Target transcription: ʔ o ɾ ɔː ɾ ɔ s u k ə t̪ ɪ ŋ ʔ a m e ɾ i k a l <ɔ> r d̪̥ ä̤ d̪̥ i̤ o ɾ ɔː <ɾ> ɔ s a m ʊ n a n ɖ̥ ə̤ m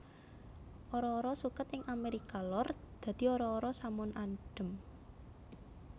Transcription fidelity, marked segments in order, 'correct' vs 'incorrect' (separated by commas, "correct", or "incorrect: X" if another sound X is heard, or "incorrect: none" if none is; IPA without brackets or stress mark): correct, correct